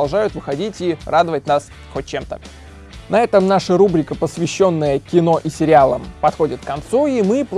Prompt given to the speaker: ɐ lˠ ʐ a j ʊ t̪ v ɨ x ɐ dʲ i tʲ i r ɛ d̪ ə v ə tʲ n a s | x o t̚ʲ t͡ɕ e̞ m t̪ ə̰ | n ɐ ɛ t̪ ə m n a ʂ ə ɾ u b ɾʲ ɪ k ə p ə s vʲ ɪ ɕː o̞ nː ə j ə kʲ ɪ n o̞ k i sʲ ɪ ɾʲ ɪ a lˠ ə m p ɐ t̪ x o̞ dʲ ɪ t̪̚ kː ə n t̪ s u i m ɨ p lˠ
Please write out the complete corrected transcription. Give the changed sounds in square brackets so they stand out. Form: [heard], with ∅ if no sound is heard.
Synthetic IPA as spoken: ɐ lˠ ʐ a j ʊ t̪ v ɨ x ɐ dʲ i tʲ i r [a] d̪ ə v ə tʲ n a s | x o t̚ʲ t͡ɕ e̞ m t̪ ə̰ | n ɐ ɛ t̪ ə m n a ʂ ə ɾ u b ɾʲ ɪ k ə p ə s vʲ ɪ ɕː o̞ nː ə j ə kʲ ɪ n o̞ [ʔ] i sʲ ɪ ɾʲ ɪ a lˠ ə m p ɐ t̪ x o̞ dʲ ɪ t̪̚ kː [ɐ] n t̪ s u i m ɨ p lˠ

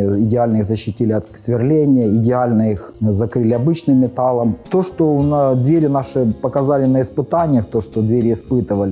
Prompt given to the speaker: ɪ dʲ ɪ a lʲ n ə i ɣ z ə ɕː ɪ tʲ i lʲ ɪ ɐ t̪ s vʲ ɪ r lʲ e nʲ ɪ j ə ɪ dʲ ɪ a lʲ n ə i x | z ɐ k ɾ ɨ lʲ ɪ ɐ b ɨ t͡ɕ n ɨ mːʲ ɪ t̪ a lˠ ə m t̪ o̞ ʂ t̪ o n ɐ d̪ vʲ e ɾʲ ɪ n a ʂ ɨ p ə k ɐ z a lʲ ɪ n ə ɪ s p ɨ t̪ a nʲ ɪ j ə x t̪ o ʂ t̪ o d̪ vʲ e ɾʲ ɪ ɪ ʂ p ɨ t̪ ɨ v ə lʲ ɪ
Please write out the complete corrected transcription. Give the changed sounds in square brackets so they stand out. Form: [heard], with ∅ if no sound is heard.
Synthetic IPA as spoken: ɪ dʲ ɪ a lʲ n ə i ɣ z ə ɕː ɪ tʲ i lʲ ɪ ɐ t̪ s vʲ ɪ r lʲ e nʲ ɪ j ə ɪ dʲ ɪ a lʲ n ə i x | z ɐ k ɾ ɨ lʲ ɪ ɐ b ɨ t͡ɕ n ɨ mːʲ ɪ t̪ a lˠ ə m t̪ o̞ ʂ t̪ o n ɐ d̪ vʲ e ɾʲ ɪ n a ʂ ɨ p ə k ɐ z a lʲ ɪ n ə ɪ s p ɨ t̪ a nʲ ɪ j ə x t̪ o ʂ t̪ o d̪ vʲ e ɾʲ ɪ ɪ [s] p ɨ t̪ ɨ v ə lʲ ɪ

